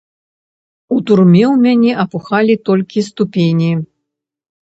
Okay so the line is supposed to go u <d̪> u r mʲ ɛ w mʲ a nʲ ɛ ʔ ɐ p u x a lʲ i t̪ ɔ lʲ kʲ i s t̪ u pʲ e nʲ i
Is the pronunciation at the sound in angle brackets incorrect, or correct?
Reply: incorrect